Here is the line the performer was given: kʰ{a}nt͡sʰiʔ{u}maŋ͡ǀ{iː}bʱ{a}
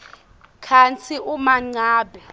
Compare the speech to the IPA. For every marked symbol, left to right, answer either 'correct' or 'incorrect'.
correct, correct, incorrect: aː, incorrect: ɛ

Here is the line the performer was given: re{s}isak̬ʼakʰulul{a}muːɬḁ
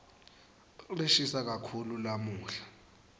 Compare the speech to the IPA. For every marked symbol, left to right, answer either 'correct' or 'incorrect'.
incorrect: ʃ, correct

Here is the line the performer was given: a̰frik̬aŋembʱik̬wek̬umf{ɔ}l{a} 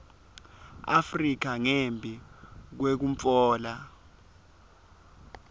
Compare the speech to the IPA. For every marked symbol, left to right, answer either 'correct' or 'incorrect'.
incorrect: ɔː, correct

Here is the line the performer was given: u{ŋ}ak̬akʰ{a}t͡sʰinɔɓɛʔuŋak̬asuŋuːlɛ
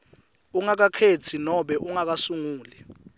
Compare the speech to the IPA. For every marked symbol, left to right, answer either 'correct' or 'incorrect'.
correct, incorrect: e

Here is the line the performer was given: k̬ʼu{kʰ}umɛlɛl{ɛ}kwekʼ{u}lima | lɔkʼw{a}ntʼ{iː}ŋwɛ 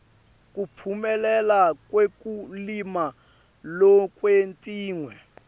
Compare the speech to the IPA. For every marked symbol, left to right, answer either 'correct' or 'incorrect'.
incorrect: pʰ, incorrect: a, correct, incorrect: e, correct

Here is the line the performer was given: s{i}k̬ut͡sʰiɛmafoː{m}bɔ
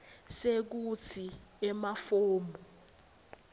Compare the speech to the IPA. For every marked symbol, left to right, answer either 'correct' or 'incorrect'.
incorrect: e, correct

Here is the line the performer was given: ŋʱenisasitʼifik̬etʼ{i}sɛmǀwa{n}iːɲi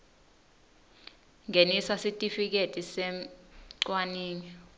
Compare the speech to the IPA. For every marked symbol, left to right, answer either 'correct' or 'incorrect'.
correct, correct

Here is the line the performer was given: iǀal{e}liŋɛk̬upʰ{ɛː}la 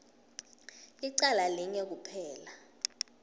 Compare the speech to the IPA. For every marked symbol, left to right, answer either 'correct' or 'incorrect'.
incorrect: a, correct

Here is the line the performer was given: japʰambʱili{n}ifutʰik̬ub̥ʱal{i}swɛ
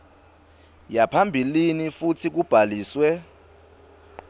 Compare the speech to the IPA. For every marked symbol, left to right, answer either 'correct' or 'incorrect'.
correct, incorrect: iː

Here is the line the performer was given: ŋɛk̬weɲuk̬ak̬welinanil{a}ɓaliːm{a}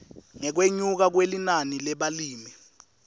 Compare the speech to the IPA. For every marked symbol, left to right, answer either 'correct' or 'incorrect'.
incorrect: ɛ, incorrect: i

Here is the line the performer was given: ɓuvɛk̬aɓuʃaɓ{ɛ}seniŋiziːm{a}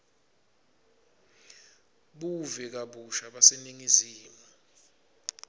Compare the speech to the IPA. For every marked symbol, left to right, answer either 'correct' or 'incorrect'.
incorrect: a, correct

